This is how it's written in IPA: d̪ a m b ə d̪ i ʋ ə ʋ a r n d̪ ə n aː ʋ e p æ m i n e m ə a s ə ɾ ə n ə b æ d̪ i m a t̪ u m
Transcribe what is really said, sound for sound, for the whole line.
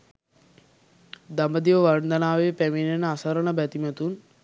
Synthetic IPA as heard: d̪ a m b ə d̪ i ʋ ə ʋ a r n d̪ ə n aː ʋ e p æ m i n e n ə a s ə ɾ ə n ə b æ t̪ i m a t̪ u n